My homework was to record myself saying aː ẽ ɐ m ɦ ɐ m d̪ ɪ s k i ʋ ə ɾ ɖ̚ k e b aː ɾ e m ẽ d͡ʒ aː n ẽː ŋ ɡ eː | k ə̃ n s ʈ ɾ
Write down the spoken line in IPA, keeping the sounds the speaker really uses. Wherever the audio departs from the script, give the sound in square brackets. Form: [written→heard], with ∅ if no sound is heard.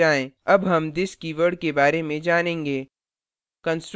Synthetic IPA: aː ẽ ɐ [m→b] ɦ ɐ m d̪ ɪ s k i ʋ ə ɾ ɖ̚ k e b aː ɾ e m ẽ d͡ʒ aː n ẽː ŋ ɡ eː | k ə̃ n s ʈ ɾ